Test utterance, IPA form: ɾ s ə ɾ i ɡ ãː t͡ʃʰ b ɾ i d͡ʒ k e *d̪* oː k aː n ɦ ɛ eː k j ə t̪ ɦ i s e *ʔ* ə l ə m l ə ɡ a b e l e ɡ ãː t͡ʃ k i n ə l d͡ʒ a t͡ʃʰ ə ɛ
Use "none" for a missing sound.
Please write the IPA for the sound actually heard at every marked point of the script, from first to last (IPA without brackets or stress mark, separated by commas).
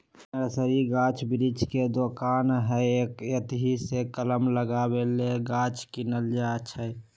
d̪, k